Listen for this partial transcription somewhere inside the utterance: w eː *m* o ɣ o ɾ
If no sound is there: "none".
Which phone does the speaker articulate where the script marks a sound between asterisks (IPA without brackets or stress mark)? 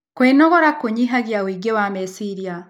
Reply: n